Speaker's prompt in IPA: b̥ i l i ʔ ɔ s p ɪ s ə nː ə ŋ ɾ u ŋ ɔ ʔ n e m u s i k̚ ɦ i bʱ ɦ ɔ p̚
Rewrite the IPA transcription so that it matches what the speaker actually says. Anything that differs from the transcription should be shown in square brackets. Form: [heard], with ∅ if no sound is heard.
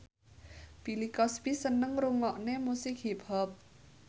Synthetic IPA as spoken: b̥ i l i [k] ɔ s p [i] s ə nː ə ŋ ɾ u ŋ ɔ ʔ n e m u s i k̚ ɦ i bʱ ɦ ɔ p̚